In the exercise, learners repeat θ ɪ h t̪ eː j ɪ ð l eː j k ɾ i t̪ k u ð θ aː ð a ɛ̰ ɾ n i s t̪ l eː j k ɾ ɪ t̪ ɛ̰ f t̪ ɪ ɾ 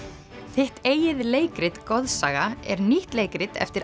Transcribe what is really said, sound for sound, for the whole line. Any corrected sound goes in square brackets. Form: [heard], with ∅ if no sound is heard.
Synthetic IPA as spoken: θ ɪ h t̪ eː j ɪ ð l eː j k ɾ [ɪ] t̪ k [ɔ] ð [s] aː [ɣ] a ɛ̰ ɾ n i [h] t̪ l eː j k ɾ ɪ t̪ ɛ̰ f t̪ ɪ ɾ